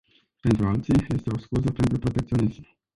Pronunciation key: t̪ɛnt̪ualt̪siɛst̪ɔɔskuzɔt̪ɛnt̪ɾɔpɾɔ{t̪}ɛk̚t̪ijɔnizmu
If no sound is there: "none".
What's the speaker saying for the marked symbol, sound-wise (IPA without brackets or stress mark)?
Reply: t̪